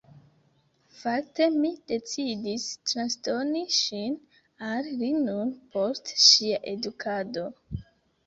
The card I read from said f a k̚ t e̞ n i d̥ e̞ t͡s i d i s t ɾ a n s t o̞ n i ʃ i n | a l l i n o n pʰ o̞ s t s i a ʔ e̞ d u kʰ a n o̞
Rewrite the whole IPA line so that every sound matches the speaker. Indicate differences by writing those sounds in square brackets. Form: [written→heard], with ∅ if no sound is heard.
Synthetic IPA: f a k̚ t e̞ [n→m] i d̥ e̞ t͡s i d i s t ɾ a n s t o̞ n i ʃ i n | a l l i n [o→u] n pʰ o̞ s t [s→ʃ] i a ʔ e̞ d u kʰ a [n→d] o̞

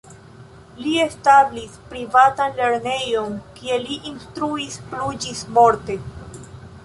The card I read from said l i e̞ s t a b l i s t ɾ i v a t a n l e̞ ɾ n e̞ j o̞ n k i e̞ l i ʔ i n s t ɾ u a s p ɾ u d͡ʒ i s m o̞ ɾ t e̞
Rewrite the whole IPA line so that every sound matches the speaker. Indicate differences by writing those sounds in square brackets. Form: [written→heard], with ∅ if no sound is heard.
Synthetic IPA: l i e̞ s t a b l i s [t→p] ɾ i v a t a n l e̞ ɾ n e̞ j o̞ n k i e̞ l i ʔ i n s t ɾ u [a→i] s p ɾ u d͡ʒ i s m o̞ ɾ t e̞

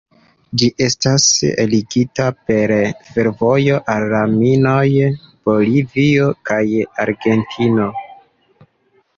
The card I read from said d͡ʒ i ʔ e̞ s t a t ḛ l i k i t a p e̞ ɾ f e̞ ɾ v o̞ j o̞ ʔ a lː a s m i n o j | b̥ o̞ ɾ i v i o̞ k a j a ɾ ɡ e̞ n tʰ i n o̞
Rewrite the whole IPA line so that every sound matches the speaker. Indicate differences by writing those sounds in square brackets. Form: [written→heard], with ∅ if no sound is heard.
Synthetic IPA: d͡ʒ i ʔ e̞ s t a [t→s] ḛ l i [k→ɡ] i t a p e̞ ɾ f e̞ ɾ v o̞ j o̞ ʔ a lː a [s→∅] m i n o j | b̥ o̞ [ɾ→l] i v i o̞ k a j a ɾ ɡ e̞ n tʰ i n o̞

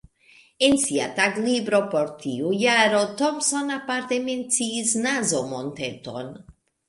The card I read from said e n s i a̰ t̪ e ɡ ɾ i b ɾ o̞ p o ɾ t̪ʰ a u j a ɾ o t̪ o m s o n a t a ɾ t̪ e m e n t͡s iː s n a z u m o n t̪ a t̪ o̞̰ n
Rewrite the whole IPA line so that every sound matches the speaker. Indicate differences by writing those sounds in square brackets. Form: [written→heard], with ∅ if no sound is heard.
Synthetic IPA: e n s i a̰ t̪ [e→a] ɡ [ɾ→l] i b ɾ o̞ p o ɾ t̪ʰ [a→i] u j a ɾ o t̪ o m s o n a [t→p] a ɾ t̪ e m e n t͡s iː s n a z [u→o] m o n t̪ [a→e] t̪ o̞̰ n

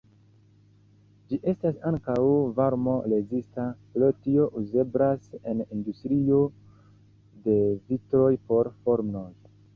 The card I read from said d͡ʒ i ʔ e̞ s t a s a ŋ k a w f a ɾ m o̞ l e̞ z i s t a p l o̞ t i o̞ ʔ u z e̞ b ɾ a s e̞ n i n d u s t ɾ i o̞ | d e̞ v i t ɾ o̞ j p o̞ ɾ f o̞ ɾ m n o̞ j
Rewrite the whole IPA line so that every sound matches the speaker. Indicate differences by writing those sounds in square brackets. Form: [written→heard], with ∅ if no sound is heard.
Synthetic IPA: d͡ʒ i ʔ e̞ s t a s a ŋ k a w [f→v] a ɾ m o̞ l e̞ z i s t a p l o̞ t i o̞ ʔ u z e̞ b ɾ a s e̞ n i n d u s t ɾ i o̞ | d e̞ v i t ɾ o̞ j p o̞ ɾ f o̞ ɾ m n o̞ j

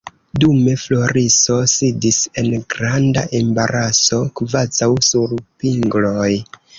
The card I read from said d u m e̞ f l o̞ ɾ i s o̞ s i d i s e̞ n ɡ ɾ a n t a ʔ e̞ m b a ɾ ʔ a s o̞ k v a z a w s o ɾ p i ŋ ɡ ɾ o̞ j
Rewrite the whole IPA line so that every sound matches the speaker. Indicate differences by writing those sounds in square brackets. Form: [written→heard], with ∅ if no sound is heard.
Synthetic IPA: d u m e̞ f l o̞ ɾ i s o̞ s i d i s e̞ n ɡ ɾ a n [t→d] a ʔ e̞ m b a ɾ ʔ a s o̞ k v a z a w s [o→u] ɾ p i ŋ ɡ [ɾ→l] o̞ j

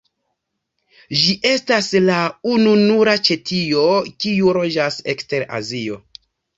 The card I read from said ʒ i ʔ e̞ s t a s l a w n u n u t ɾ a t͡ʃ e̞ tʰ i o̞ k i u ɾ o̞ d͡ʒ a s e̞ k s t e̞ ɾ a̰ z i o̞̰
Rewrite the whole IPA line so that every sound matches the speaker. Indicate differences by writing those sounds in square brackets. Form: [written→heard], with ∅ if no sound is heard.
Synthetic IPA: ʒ i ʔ e̞ s t a s l a [w→u] n u n u [t→∅] ɾ a t͡ʃ e̞ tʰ i o̞ k i u ɾ o̞ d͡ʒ a s e̞ k s t e̞ ɾ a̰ z i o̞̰

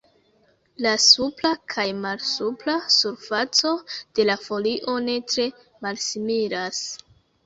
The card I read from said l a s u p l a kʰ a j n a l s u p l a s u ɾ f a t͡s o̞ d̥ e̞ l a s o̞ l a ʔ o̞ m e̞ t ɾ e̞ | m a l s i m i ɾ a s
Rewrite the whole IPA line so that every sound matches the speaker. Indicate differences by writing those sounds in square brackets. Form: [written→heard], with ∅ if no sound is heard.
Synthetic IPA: l a s u p l a kʰ a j [n→m] a l s u p l a s u ɾ f a t͡s o̞ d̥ e̞ l a [s→f] o̞ l [a→i] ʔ o̞ [m→n] e̞ t ɾ e̞ | m a l s i m i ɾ a s

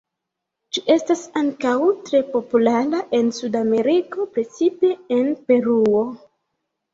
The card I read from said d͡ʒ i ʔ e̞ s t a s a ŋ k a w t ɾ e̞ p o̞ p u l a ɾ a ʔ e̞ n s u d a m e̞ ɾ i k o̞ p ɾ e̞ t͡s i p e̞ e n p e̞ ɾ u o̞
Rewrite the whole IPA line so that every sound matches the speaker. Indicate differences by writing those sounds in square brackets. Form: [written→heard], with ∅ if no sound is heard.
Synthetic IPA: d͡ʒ i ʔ e̞ s t a s a ŋ k a w t ɾ e̞ p o̞ p u l a ɾ a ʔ e̞ n s u d a m e̞ ɾ i k o̞ p ɾ e̞ t͡s i p e̞ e n p e̞ ɾ u o̞

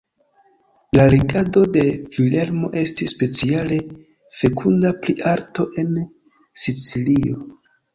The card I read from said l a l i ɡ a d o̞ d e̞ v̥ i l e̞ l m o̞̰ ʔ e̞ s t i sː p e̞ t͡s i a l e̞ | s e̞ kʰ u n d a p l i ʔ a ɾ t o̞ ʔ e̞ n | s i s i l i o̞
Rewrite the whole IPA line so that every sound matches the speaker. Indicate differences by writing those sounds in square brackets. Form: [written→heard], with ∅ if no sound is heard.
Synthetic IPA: l a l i ɡ a d o̞ d e̞ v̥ i l e̞ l m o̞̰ ʔ e̞ s t i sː p e̞ t͡s i a l e̞ | [s→f] e̞ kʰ u n d a p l i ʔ a ɾ t o̞ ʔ e̞ n | s i [s→t͡s] i l i o̞

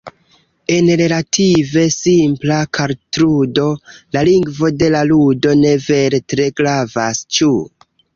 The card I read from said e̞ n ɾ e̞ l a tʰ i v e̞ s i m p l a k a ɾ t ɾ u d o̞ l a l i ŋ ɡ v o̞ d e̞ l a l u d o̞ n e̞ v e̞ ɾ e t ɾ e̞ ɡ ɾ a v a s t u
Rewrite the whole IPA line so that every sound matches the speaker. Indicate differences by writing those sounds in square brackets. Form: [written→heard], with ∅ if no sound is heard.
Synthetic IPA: e̞ n ɾ e̞ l a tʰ i v e̞ s i m p l a k a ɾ t ɾ u d o̞ l a l i ŋ ɡ v o̞ d e̞ l a l u d o̞ n e̞ v e̞ ɾ e t ɾ e̞ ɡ ɾ a v a s [t→t͡ʃ] u

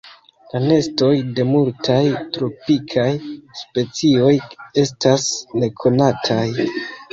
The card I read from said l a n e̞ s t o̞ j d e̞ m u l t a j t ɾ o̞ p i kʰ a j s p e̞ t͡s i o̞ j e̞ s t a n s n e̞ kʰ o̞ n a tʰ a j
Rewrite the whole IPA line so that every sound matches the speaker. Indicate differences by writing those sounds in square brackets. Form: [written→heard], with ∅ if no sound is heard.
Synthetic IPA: l a n e̞ s t o̞ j d e̞ m u l t a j t ɾ o̞ p i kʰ a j s p e̞ t͡s i o̞ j e̞ s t a [n→∅] s n e̞ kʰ o̞ n a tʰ a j

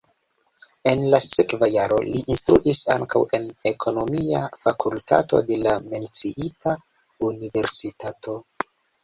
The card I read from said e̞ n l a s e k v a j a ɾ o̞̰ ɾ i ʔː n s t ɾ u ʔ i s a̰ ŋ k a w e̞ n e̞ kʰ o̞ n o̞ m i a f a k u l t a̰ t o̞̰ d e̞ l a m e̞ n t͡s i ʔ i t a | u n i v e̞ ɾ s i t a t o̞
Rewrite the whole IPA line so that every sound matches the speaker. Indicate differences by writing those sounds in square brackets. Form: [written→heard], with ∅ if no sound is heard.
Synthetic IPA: e̞ n l a s e k v a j a ɾ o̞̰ [ɾ→l] i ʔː n s t ɾ u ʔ i s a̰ ŋ k a w e̞ n e̞ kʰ o̞ n o̞ m i a f a k u l t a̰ t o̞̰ d e̞ l a m e̞ n t͡s i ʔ i t a | u n i v e̞ ɾ s i t a t o̞

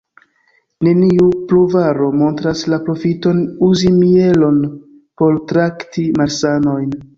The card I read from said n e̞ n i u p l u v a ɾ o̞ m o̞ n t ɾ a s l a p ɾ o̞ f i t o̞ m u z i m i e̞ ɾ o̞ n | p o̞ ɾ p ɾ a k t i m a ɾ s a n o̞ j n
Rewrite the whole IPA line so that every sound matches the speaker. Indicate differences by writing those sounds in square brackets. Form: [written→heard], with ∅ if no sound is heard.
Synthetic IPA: n e̞ n i u p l u v a ɾ o̞ m o̞ n t ɾ a s l a p ɾ o̞ f i t o̞ [m→n] u z i m i e̞ [ɾ→l] o̞ n | p o̞ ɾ [p→t] ɾ a k t i m a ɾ s a n o̞ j n

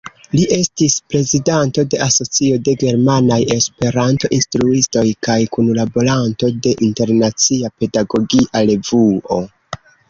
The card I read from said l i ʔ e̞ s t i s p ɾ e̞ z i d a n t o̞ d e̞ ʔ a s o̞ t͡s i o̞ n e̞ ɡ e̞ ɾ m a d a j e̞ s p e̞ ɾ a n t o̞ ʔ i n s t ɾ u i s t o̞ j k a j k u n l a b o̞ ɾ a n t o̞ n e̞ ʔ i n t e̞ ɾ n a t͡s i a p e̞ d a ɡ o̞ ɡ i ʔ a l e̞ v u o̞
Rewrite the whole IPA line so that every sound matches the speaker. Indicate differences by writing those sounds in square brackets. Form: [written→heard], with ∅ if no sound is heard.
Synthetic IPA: l i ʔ e̞ s t i s p ɾ e̞ z i d a n t o̞ d e̞ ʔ a s o̞ t͡s i o̞ [n→d] e̞ ɡ e̞ ɾ m a [d→n] a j e̞ s p e̞ ɾ a n t o̞ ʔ i n s t ɾ u i s t o̞ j k a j k u n l a b o̞ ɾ a n t o̞ [n→d] e̞ ʔ i n t e̞ ɾ n a t͡s i a p e̞ d a ɡ o̞ ɡ i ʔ a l e̞ v u o̞

